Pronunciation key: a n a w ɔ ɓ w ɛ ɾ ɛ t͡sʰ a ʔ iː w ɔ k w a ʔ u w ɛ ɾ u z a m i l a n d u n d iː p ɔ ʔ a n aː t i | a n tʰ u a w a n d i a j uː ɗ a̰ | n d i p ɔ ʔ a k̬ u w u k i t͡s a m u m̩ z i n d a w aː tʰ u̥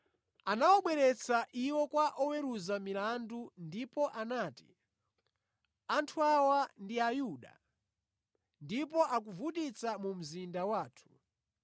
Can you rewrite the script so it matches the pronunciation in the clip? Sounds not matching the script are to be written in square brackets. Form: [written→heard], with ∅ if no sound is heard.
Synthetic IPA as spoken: a n a w ɔ ɓ w ɛ ɾ ɛ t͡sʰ a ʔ [iː→i] w ɔ k w a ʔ [u→ɔ] w ɛ ɾ u z a m i l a n d u n d [iː→i] p ɔ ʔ a n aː t i | a n tʰ u a w a n d i a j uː ɗ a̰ | n d i p ɔ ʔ a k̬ u [w→v] u [k→t] i t͡s a m u m̩ z i n d a w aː tʰ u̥